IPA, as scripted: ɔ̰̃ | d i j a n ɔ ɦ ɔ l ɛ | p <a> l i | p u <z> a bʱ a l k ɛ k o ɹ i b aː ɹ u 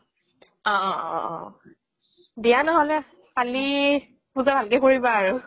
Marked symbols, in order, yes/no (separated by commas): yes, yes